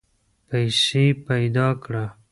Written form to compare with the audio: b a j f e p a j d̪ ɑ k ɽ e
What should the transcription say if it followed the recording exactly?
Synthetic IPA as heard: p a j s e p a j d̪ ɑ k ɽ a